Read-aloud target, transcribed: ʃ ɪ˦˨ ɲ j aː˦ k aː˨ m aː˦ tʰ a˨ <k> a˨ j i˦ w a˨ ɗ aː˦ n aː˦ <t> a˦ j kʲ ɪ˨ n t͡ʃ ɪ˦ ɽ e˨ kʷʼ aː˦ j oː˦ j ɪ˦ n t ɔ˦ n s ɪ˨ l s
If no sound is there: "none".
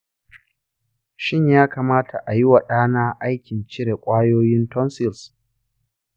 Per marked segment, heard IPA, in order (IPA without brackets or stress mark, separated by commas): ʔ, ʔ